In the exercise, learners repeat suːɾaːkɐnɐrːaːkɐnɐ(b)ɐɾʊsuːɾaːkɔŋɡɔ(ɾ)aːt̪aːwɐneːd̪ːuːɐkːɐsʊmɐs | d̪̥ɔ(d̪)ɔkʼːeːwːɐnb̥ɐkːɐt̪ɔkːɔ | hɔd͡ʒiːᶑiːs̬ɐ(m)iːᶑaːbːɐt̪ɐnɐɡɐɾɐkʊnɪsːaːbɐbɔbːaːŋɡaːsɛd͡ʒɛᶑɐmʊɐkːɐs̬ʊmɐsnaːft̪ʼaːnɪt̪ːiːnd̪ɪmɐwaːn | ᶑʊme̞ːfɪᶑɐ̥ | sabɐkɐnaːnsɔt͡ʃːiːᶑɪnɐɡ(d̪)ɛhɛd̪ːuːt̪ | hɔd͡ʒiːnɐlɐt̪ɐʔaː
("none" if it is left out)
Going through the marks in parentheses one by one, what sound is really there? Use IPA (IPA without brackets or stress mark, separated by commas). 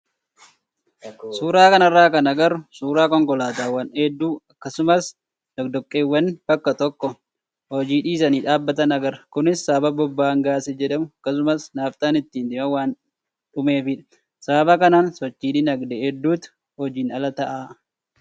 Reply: ɡ, l, d̪, n, d̪